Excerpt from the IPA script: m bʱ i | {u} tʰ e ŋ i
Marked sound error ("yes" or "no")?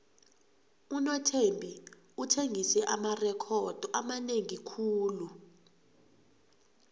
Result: no